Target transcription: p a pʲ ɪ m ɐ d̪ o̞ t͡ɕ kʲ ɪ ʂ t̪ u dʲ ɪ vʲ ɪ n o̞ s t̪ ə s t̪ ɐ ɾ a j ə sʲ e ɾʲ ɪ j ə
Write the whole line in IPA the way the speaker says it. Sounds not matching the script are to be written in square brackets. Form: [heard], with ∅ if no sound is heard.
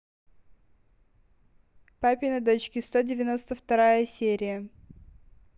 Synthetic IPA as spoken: p a pʲ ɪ [n] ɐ d̪ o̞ t͡ɕ kʲ ɪ [s] t̪ [o] dʲ ɪ vʲ ɪ n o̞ s t̪ ə [f] t̪ ɐ ɾ a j ə sʲ e ɾʲ ɪ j ə